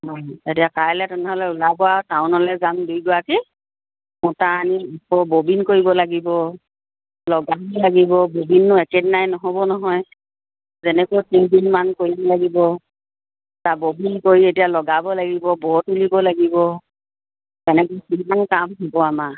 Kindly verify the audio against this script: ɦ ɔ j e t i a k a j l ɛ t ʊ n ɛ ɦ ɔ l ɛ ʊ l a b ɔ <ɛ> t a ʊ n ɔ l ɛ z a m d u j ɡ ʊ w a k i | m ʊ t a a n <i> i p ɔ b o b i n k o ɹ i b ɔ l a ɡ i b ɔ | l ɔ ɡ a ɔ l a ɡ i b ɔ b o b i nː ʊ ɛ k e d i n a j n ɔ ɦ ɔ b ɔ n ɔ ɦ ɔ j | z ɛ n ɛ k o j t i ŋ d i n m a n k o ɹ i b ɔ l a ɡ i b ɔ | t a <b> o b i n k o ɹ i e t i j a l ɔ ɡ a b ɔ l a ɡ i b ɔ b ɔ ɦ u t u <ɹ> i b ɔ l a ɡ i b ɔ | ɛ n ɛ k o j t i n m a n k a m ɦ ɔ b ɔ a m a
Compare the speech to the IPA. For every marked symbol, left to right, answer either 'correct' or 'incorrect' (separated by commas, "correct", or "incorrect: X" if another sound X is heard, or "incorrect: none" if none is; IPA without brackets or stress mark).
incorrect: a, correct, correct, incorrect: l